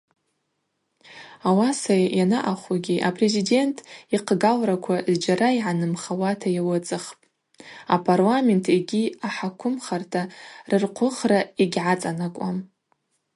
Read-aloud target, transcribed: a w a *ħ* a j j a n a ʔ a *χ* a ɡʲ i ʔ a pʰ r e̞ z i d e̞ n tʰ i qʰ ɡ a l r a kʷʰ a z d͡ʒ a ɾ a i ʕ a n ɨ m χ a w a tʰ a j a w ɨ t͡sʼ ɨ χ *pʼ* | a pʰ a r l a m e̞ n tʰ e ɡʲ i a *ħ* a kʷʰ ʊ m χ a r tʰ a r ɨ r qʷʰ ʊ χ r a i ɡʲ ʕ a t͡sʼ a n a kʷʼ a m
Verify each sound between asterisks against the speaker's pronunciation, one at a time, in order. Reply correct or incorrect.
incorrect: s, correct, correct, correct

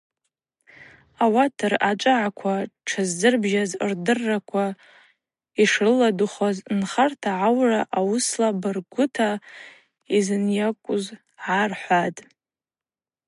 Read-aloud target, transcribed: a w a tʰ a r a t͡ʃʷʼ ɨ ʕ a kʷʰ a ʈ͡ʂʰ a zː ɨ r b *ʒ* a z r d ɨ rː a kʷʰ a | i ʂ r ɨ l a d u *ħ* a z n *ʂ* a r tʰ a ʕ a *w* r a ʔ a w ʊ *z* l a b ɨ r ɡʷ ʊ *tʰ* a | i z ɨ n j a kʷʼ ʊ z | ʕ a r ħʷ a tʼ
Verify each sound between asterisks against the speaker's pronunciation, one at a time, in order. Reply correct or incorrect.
correct, incorrect: χ, incorrect: χ, correct, incorrect: s, correct

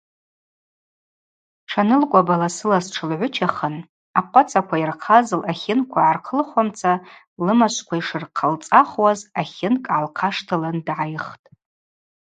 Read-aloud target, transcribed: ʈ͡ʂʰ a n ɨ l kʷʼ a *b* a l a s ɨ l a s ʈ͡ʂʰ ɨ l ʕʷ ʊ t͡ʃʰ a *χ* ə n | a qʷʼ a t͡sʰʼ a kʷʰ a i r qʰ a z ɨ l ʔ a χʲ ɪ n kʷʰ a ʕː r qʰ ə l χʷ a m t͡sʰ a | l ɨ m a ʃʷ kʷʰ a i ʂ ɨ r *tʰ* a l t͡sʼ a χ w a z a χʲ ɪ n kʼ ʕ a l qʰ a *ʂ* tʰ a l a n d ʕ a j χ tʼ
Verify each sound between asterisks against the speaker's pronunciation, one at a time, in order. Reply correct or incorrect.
correct, correct, incorrect: qʰ, correct

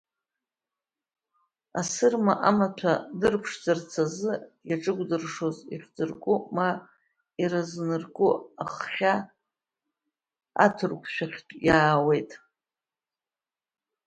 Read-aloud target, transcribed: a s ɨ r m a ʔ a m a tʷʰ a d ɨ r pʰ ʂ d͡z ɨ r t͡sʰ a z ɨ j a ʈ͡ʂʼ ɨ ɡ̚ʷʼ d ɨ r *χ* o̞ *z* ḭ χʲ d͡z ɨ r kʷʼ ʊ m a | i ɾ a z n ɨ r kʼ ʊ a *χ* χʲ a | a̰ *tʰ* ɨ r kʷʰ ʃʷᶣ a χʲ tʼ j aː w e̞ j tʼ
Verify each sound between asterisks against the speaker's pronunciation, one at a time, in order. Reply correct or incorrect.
incorrect: ʂ, correct, correct, correct

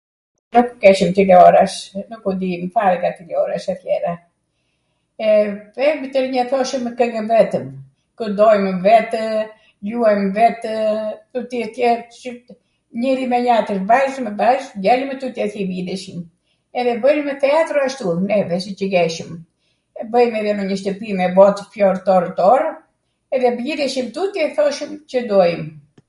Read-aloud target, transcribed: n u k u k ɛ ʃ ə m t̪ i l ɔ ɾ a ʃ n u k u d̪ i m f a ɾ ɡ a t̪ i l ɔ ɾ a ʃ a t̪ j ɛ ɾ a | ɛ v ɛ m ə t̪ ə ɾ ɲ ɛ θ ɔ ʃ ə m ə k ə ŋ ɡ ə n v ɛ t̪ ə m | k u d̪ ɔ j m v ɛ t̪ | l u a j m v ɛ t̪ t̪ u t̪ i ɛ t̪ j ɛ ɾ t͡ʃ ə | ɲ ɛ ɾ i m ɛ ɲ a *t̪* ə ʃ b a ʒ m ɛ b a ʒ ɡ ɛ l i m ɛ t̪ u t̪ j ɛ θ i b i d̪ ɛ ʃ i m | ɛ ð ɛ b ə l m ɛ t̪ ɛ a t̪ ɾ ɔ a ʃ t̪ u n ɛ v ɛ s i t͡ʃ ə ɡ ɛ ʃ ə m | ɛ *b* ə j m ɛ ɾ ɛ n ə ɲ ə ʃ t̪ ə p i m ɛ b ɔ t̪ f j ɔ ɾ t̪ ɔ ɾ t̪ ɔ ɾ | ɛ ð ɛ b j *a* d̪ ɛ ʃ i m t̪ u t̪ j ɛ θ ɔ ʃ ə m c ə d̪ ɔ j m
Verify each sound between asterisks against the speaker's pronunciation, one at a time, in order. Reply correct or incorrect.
correct, correct, incorrect: i

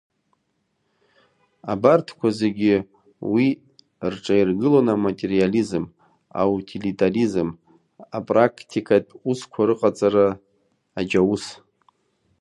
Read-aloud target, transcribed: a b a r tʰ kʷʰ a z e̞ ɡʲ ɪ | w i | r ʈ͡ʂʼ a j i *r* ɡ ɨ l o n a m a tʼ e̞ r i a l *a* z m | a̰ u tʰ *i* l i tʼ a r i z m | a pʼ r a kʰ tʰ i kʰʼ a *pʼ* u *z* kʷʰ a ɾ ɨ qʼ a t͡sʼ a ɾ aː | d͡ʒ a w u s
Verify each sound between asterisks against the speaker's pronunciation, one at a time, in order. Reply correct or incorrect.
correct, incorrect: i, correct, incorrect: tʼ, incorrect: s

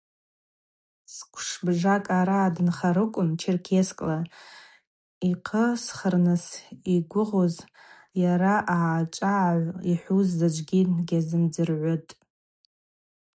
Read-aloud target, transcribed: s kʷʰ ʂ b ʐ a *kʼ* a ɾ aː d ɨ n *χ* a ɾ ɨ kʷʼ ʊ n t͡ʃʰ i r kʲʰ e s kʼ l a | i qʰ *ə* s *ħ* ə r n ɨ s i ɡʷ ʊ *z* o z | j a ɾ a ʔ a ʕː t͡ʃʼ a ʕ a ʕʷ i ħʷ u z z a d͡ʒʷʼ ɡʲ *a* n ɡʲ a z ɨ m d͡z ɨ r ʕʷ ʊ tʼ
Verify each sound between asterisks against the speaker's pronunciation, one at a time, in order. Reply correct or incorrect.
correct, correct, correct, incorrect: χ, incorrect: ʁ, incorrect: i

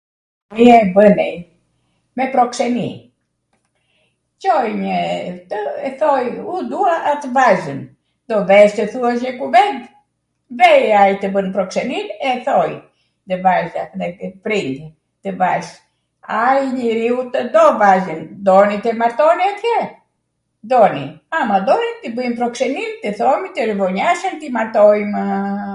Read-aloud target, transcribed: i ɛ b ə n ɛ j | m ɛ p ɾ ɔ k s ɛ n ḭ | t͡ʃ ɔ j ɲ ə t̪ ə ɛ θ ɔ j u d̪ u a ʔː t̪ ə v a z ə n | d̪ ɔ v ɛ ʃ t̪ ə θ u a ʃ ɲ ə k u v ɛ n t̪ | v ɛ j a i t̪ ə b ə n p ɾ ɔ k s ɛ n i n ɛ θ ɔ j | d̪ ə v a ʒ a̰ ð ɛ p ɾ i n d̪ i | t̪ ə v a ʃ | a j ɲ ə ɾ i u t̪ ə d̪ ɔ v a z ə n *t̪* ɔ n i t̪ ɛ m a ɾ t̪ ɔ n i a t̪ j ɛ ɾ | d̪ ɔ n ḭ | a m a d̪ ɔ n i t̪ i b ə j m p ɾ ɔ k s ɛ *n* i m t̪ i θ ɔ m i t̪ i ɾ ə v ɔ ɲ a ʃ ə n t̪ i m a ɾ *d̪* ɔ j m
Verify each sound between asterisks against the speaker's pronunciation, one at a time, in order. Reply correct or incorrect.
incorrect: d̪, correct, incorrect: t̪

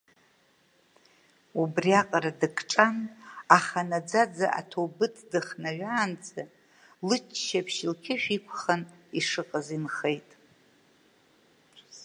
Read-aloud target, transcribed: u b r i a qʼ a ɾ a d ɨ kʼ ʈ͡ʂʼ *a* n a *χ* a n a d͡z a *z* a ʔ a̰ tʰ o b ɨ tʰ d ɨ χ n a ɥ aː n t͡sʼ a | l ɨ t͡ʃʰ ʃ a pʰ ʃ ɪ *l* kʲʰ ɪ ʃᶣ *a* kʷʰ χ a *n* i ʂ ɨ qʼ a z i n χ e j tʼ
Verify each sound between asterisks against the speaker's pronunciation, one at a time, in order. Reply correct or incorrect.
correct, correct, incorrect: d͡z, correct, incorrect: i, correct

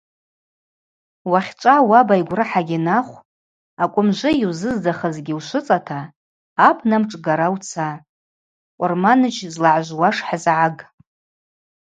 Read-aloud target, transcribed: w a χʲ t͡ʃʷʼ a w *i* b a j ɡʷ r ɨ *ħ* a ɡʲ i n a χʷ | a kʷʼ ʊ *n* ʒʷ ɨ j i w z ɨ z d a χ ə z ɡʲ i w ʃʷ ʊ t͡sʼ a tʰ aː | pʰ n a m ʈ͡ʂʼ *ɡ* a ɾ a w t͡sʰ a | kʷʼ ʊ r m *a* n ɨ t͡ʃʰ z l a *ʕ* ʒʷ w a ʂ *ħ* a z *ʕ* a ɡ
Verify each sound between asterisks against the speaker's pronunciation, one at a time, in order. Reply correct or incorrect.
incorrect: a, correct, incorrect: m, correct, correct, correct, correct, correct

